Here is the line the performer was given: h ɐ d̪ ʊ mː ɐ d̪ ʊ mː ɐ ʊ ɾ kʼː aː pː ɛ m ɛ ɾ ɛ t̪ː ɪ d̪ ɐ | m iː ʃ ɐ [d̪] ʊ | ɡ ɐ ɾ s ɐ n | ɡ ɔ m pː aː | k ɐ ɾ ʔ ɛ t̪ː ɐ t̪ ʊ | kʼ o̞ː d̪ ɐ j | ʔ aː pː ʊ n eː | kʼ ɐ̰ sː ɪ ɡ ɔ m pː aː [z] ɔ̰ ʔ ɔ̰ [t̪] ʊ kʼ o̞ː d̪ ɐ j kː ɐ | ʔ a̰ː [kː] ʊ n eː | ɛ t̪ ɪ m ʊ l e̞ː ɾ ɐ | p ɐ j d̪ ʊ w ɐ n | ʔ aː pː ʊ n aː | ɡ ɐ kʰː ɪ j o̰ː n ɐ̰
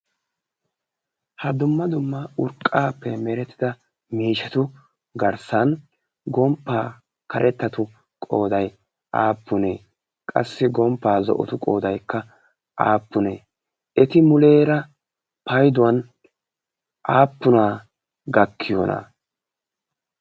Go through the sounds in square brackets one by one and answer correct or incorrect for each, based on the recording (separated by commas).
incorrect, correct, correct, incorrect